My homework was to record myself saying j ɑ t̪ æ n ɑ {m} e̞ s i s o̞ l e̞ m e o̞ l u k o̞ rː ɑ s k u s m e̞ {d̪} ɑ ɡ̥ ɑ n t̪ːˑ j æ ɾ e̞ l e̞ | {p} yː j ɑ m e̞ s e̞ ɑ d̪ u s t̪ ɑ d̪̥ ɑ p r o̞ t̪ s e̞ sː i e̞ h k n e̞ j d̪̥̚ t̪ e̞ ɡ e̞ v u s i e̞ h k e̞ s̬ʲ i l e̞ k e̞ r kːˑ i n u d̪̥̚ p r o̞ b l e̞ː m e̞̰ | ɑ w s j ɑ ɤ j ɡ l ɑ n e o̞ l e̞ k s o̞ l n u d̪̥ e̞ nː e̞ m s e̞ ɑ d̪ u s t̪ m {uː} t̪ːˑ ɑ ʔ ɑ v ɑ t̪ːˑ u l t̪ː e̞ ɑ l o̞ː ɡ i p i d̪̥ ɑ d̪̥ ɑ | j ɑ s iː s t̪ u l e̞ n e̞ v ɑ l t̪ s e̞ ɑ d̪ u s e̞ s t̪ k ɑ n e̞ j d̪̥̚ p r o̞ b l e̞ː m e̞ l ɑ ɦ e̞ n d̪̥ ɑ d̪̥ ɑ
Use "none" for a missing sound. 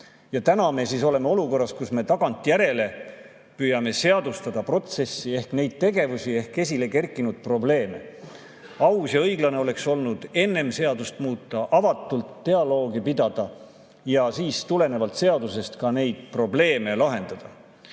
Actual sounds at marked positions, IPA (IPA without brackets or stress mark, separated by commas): m, t̪, p, uː